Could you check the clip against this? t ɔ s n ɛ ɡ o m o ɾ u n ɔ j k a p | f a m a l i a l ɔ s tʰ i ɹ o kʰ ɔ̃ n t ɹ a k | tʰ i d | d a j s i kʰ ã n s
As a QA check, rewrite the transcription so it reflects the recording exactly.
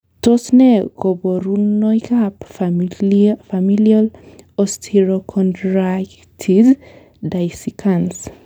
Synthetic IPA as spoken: t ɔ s n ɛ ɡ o b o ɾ u n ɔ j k a p | f a m i l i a l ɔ s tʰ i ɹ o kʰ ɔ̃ n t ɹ a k | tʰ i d | d a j s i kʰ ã n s

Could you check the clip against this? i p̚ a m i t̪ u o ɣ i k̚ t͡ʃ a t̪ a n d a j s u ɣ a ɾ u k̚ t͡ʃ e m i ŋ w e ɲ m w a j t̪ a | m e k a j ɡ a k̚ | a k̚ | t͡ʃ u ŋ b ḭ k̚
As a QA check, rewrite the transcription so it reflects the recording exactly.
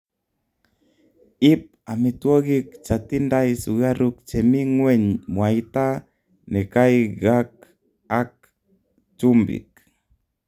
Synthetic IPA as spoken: i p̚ a m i t̪ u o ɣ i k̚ t͡ʃ a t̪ i n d a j s u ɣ a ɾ u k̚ t͡ʃ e m i ŋ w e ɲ m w a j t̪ a | n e k a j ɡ a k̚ | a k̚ | t͡ʃ u m b ḭ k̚

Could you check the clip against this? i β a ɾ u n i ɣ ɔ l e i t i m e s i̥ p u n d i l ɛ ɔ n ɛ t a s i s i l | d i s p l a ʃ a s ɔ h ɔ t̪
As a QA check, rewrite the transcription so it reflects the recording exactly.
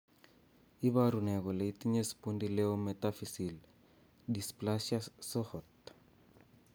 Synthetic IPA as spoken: i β a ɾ u n ɛ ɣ ɔ l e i t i ɲ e s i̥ p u n d i l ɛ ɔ m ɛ t a f i s i l | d i s p l a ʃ a s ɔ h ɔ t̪

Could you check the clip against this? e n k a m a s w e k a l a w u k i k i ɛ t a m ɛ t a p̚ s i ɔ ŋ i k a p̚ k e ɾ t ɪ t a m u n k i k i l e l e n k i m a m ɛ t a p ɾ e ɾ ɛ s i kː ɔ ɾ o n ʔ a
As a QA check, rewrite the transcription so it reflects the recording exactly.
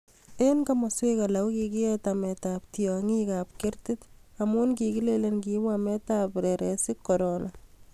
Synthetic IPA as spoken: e n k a m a s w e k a l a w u k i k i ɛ t a m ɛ t a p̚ t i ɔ ŋ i k a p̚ k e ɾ t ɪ t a m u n k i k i l e l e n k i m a m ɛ t a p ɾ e ɾ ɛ s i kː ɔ ɾ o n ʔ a

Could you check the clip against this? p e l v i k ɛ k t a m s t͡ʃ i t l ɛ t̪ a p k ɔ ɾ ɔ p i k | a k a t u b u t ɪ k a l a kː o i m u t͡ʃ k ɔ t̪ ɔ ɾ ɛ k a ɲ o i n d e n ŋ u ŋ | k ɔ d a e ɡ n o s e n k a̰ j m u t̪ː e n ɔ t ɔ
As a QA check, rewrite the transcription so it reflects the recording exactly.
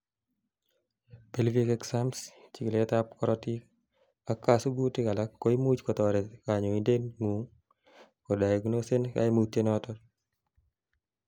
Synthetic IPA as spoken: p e l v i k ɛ k s a m s t͡ʃ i k l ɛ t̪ a p k ɔ ɾ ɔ t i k | a k a s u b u t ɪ k a l a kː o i m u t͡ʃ k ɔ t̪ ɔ ɾ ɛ k a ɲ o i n d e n ŋ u ŋ | k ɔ d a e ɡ n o s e n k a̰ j m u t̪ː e n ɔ t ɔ

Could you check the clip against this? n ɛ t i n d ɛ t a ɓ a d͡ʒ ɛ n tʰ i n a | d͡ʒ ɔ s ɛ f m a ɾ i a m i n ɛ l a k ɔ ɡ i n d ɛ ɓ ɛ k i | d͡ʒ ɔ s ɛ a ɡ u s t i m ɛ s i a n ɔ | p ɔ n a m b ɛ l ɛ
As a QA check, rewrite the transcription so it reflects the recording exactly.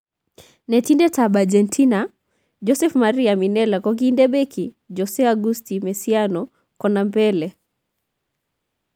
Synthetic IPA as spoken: n ɛ t i n d ɛ t a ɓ a d͡ʒ ɛ n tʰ i n a | d͡ʒ ɔ s ɛ f m a ɾ i a m i n ɛ l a k ɔ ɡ i n d ɛ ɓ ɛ k i | d͡ʒ ɔ s ɛ a ɡ u s t i m ɛ s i a n ɔ | k ɔ n a m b ɛ l ɛ

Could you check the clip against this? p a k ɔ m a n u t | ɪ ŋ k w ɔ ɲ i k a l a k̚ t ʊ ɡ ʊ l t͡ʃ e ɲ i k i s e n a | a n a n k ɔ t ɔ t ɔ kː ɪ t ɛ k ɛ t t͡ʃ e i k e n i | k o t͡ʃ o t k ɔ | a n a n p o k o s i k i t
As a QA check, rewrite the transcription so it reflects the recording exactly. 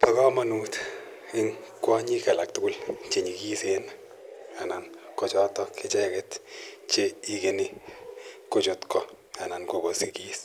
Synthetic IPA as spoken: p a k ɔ m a n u t | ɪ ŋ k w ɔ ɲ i k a l a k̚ t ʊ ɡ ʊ l t͡ʃ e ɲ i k i s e n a | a n a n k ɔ t͡ʃ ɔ t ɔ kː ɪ t͡ʃ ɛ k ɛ t t͡ʃ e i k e n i | k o t͡ʃ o t k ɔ | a n a n k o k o s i k i s

